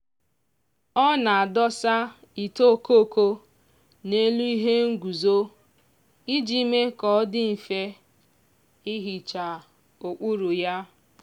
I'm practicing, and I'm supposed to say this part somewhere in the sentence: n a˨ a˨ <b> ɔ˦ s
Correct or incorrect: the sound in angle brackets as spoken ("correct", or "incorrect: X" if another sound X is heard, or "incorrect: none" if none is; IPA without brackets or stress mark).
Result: incorrect: d